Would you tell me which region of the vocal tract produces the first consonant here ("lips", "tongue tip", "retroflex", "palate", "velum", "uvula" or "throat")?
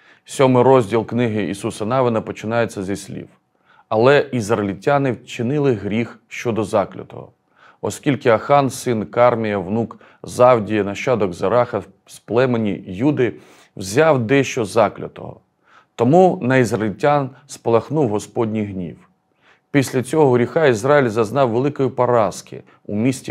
tongue tip